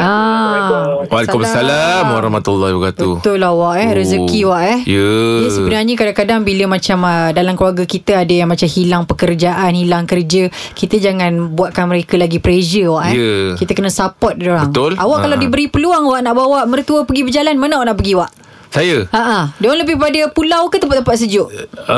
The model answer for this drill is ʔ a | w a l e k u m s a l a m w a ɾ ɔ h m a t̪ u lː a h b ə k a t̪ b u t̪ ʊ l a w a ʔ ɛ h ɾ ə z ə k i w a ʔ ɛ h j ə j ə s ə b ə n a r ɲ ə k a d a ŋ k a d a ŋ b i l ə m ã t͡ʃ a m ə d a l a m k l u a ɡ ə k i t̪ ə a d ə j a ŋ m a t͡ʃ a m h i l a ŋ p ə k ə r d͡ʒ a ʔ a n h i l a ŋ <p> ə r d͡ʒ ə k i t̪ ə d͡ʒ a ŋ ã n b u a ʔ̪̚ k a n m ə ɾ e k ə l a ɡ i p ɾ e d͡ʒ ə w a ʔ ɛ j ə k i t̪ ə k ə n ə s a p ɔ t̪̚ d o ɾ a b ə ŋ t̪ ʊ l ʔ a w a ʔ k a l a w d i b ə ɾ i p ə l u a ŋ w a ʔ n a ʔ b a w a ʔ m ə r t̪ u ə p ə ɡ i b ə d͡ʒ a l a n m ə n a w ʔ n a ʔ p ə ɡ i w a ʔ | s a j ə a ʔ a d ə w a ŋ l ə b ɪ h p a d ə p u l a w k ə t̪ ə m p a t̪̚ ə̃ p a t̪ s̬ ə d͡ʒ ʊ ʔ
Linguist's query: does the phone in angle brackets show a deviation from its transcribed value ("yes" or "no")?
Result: yes